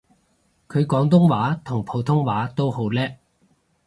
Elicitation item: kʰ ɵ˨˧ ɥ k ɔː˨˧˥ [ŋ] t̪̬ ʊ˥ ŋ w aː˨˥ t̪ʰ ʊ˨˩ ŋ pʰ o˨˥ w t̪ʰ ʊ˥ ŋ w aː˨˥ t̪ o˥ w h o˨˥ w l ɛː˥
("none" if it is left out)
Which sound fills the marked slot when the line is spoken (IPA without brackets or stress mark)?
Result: ŋ